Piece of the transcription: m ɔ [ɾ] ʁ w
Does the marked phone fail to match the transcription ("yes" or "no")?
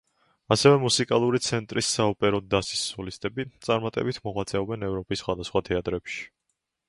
yes